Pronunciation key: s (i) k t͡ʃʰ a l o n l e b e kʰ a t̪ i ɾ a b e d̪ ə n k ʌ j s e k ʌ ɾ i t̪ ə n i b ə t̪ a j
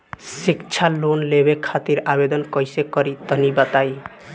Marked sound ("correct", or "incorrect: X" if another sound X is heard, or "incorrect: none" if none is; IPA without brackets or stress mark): correct